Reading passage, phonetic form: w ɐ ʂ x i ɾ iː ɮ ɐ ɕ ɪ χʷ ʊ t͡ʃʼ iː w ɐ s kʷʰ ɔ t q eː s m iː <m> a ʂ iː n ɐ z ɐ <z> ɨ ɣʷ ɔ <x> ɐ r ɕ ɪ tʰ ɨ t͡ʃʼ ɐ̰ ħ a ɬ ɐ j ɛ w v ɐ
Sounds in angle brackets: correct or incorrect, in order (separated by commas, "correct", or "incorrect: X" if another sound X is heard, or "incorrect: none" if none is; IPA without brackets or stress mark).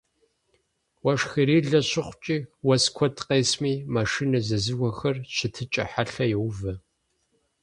correct, correct, correct